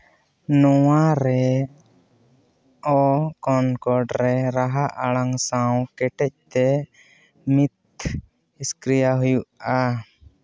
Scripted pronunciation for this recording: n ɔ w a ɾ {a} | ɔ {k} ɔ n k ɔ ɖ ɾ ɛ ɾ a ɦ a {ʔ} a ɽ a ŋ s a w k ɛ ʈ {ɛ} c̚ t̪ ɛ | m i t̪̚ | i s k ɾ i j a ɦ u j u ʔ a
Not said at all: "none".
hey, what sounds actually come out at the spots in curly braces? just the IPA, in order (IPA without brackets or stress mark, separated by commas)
ɛ, k, ʔ, ɛ